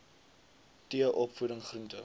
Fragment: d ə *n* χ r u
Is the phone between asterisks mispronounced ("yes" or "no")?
yes